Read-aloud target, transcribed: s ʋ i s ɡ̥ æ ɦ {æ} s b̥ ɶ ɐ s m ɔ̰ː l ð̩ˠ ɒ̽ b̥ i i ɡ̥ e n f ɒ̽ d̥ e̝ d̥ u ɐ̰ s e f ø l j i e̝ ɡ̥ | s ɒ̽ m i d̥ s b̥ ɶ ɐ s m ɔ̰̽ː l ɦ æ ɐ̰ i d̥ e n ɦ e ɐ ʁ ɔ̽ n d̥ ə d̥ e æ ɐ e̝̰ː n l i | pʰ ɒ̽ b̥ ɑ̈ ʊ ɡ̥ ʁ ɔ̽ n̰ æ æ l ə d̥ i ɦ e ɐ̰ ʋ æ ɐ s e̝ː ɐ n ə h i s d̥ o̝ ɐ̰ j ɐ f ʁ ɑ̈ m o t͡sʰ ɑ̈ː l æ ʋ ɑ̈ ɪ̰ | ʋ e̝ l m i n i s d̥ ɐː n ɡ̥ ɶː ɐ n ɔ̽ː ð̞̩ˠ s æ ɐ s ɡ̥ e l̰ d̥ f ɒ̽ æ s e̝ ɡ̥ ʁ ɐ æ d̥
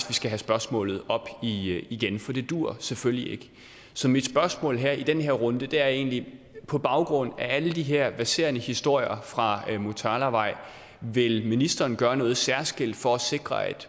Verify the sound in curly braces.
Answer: correct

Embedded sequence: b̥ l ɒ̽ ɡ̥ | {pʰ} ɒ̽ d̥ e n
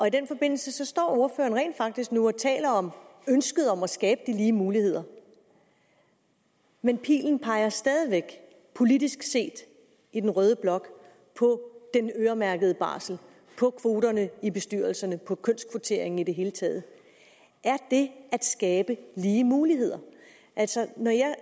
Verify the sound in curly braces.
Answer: correct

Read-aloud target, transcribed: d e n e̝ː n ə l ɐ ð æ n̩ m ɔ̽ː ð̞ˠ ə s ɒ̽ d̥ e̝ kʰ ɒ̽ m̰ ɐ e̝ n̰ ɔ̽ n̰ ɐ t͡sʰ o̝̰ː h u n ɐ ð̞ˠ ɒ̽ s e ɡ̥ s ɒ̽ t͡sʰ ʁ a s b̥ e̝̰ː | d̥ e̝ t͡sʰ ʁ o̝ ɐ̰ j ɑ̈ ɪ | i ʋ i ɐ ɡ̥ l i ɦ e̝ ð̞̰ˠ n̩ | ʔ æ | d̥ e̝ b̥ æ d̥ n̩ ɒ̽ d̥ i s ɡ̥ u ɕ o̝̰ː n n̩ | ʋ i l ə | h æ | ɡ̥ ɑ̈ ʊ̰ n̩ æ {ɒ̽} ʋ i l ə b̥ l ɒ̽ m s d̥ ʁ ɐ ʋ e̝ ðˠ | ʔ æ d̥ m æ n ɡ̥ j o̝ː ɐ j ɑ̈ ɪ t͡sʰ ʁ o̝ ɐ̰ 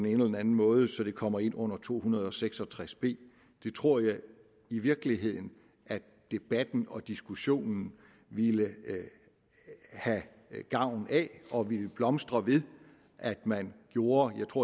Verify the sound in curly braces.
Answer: correct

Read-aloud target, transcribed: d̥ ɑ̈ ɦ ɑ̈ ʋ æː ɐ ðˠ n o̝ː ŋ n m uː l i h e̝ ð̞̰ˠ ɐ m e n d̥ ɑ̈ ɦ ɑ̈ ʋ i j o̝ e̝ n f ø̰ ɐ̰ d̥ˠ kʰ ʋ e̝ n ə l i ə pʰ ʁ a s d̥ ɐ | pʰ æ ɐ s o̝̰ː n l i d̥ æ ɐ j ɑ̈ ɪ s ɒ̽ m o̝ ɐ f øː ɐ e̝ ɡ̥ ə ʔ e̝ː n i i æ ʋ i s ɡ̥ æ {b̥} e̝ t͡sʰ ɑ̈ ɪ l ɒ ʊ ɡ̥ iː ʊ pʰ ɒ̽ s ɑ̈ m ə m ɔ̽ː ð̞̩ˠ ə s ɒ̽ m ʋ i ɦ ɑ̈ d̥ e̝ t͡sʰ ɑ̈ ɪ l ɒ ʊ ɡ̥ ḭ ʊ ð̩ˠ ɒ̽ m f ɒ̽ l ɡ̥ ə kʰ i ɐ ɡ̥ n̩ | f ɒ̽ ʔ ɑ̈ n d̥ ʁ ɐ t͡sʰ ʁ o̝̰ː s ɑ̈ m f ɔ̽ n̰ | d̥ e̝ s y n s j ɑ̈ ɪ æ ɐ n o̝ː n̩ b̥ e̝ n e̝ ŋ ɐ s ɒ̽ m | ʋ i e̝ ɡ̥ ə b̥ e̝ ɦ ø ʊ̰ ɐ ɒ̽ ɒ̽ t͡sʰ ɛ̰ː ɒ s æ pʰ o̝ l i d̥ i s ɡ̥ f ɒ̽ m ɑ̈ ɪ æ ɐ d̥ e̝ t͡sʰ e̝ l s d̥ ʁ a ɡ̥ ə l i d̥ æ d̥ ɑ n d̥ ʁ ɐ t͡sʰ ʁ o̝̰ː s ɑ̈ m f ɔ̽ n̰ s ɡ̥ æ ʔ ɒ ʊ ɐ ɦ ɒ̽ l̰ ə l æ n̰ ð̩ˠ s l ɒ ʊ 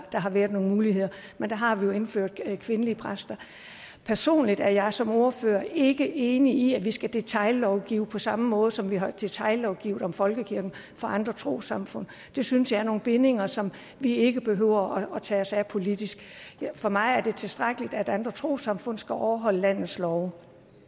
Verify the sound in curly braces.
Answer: incorrect: d̥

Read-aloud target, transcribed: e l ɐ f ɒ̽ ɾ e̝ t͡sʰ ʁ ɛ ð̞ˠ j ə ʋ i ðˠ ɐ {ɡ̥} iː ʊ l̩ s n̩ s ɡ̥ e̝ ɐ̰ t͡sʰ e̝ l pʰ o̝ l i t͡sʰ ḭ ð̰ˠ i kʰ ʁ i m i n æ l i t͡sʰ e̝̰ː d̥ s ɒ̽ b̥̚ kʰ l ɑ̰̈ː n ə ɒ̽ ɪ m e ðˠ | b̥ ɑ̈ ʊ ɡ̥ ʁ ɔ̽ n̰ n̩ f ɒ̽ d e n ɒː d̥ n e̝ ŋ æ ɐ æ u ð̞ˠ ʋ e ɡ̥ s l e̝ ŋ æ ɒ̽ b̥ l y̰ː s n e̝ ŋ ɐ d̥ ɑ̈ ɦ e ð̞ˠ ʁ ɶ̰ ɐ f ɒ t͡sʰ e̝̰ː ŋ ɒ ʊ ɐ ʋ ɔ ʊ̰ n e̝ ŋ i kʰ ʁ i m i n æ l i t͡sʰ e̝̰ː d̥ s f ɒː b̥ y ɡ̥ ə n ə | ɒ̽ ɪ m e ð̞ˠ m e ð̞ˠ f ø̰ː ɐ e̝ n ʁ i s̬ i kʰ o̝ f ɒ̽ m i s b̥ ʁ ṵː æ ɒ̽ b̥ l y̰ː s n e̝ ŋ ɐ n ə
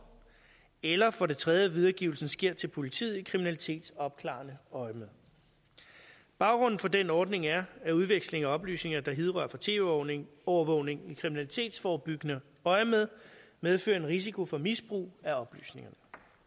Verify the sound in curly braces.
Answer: correct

